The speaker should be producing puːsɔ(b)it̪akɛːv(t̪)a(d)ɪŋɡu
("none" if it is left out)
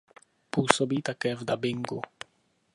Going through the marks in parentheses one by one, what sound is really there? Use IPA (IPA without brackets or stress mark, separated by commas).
b, d̪, b